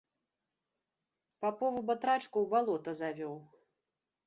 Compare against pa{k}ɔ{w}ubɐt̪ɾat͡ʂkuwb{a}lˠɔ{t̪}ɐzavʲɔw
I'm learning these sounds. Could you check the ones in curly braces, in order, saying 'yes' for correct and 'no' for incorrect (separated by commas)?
no, no, yes, yes